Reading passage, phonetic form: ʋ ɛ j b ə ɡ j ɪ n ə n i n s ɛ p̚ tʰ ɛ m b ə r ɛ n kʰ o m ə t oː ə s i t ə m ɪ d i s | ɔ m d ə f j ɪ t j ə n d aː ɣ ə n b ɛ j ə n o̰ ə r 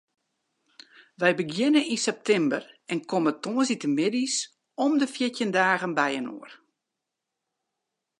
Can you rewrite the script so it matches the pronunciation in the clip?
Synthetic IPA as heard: ʋ ɛ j b ə ɡ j ɪ n ə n i n s ɛ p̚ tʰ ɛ m b ə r ɛ n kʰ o m ə t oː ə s i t ə m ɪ d i s | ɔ m d ə f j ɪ t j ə n d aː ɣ ə n b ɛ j ə n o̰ ə r